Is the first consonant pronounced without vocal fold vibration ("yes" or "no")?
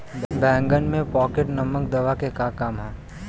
no